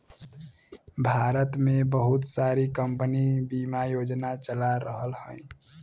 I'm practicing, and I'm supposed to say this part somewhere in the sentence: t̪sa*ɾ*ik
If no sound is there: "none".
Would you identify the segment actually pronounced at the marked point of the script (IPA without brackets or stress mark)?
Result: ɾ